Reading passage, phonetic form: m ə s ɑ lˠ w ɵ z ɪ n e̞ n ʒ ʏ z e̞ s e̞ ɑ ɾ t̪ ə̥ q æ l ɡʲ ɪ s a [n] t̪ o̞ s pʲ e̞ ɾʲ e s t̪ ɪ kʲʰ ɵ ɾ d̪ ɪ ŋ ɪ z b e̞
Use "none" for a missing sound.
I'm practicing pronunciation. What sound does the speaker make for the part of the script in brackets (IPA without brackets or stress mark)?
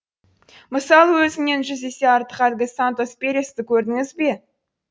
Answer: n